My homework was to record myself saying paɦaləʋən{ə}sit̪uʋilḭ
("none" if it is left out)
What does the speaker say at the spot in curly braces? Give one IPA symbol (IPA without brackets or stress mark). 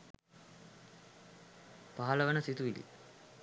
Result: ə